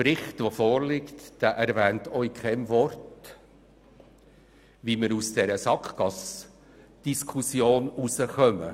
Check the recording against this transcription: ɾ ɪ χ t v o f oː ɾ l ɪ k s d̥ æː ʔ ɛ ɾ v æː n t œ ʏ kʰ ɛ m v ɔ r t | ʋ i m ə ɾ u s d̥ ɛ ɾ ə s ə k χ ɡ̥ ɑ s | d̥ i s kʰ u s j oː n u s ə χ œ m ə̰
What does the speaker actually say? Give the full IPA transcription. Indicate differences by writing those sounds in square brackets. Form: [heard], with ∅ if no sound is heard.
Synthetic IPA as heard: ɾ ɪ χ t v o f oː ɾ l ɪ k [t] d̥ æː ʔ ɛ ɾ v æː n t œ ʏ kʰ ɛ m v ɔ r t | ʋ i m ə ɾ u s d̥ ɛ ɾ ə s [ɑ] k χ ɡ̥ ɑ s | d̥ i s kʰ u s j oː n u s ə χ œ m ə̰

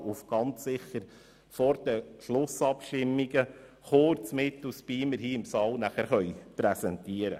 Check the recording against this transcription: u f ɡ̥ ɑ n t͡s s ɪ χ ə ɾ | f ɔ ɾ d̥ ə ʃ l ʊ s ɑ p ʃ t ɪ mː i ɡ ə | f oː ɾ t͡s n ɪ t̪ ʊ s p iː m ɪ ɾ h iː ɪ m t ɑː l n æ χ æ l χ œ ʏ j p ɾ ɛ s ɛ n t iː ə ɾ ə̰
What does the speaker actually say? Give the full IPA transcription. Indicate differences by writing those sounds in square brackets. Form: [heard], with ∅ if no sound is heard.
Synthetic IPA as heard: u f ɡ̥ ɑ n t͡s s ɪ χ ə ɾ | f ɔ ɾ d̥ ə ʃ l ʊ s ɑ p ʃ t ɪ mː i ɡ ə | [χ] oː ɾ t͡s [m] ɪ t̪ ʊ s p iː m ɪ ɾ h iː ɪ m [s] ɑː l n æ χ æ [ɾ] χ œ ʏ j p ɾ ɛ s ɛ n t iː ə ɾ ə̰

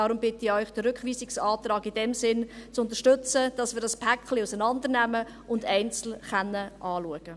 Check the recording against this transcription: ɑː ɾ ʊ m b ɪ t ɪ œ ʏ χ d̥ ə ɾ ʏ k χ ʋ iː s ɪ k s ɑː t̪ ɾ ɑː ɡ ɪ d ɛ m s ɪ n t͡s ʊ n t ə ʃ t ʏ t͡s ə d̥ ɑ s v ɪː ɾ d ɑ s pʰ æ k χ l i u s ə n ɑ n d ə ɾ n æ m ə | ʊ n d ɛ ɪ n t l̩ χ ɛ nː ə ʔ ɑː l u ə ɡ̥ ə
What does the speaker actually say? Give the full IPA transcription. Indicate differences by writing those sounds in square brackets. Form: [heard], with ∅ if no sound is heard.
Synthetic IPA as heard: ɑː ɾ ʊ m b ɪ t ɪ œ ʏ χ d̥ ə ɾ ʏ k χ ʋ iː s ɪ k s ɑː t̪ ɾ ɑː ɡ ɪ d ɛ m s ɪ n t͡s ʊ n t ə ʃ t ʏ t͡s ə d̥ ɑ s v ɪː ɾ d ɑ s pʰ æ k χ l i u s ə n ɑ n d ə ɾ n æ m ə | ʊ n d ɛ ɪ n [t͡s] l̩ χ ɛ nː ə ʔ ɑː l u ə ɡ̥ ə

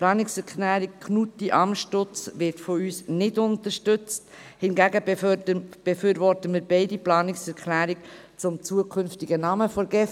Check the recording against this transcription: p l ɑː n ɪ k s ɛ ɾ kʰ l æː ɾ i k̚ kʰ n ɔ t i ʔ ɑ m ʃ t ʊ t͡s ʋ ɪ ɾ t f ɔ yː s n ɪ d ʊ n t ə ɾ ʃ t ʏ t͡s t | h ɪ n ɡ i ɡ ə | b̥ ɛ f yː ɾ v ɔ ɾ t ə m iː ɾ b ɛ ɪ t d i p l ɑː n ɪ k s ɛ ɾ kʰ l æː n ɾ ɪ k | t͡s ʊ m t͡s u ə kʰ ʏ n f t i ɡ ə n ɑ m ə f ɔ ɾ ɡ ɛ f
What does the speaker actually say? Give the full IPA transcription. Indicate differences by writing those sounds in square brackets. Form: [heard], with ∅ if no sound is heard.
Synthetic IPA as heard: p l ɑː n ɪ k s ɛ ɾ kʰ l æː ɾ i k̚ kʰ n [u] t i ʔ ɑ m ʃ t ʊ t͡s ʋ ɪ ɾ t f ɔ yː s n ɪ d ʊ n t ə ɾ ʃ t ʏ t͡s t | h ɪ n ɡ [æ] ɡ ə | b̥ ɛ f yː ɾ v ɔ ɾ t ə m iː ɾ b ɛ ɪ [∅] d i p l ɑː n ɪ k s ɛ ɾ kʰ l æː [∅] ɾ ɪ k | t͡s ʊ m t͡s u ə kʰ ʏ n f t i ɡ ə n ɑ m ə f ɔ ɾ ɡ ɛ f

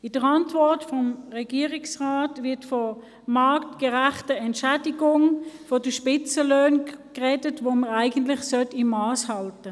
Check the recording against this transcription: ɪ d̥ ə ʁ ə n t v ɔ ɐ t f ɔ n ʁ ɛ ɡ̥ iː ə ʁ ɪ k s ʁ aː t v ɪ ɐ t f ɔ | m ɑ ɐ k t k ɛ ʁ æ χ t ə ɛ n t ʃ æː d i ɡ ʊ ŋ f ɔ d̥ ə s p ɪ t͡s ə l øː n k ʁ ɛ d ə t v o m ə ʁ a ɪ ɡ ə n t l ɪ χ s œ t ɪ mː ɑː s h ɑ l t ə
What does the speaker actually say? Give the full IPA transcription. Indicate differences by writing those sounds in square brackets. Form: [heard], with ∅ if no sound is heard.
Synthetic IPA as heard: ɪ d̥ ə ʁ [ɑ] n t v ɔ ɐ t f ɔ [m] ʁ ɛ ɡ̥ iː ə ʁ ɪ k s ʁ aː t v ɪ ɐ t f ɔ | m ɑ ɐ k t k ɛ ʁ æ χ t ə ɛ n t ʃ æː d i ɡ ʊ ŋ f ɔ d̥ ə [ʃ] p ɪ t͡s ə l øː n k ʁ ɛ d ə t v o m ə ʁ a ɪ ɡ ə n t l ɪ χ s œ t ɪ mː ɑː s h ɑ l t ə

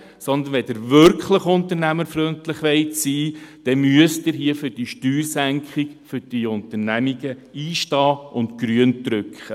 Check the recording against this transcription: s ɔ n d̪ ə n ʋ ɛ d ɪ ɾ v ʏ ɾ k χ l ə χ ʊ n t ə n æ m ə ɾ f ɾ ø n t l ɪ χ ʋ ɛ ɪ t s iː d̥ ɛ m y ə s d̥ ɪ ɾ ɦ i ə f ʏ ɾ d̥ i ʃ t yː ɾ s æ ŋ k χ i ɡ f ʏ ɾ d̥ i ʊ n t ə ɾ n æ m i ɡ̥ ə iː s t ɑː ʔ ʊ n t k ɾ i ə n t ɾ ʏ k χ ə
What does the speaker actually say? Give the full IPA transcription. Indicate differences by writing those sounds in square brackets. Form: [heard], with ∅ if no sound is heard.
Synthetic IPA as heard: s ɔ n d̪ ə n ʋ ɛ d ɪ ɾ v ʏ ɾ k χ l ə χ ʊ n t ə n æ m ə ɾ f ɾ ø n t l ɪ χ ʋ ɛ ɪ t s iː d̥ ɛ m y ə s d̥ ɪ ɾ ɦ i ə f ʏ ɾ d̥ i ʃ t yː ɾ s æ ŋ k χ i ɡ f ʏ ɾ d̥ i ʊ n t ə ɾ n æ m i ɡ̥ ə iː [ʃ] t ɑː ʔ ʊ n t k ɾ [y] ə n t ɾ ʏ k χ ə

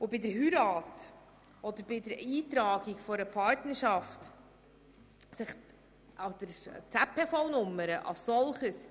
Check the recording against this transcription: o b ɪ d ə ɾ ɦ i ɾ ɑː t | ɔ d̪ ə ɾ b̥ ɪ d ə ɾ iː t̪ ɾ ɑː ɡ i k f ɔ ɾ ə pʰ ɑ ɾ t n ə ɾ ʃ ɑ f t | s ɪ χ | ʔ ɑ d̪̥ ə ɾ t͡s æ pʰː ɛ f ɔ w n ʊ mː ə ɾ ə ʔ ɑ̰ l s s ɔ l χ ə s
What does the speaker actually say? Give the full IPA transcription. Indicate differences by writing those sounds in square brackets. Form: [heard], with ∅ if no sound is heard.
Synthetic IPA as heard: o b ɪ d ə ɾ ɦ [y] ɾ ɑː t | ɔ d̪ ə ɾ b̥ ɪ d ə ɾ iː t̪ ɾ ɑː ɡ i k f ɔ ɾ ə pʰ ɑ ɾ t n ə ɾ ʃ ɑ f t | s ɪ χ | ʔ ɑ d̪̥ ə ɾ t͡s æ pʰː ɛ f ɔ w n ʊ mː ə ɾ ə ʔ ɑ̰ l s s ɔ l χ ə s

